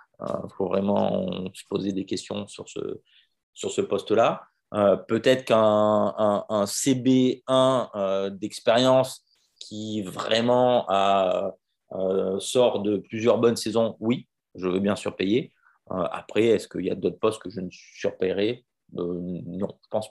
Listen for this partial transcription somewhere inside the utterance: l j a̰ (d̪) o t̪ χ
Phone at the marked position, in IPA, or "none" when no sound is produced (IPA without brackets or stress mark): d̪